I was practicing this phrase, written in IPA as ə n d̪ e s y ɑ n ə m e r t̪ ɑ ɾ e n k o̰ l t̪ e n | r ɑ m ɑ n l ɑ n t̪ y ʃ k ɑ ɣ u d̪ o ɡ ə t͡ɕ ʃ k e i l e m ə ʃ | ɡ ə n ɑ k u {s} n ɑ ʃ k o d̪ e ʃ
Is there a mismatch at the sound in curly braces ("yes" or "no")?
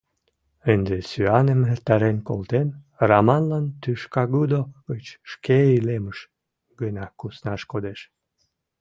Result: no